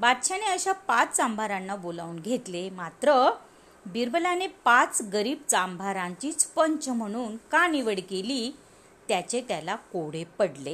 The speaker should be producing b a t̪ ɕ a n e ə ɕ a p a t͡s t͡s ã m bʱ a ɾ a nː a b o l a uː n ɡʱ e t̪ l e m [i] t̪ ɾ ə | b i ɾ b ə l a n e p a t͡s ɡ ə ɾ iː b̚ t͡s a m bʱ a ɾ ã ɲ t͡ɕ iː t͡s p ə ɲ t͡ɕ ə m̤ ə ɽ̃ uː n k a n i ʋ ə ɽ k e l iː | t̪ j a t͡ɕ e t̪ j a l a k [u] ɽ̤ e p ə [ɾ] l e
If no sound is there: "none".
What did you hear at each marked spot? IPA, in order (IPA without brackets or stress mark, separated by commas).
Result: a, o, ɽ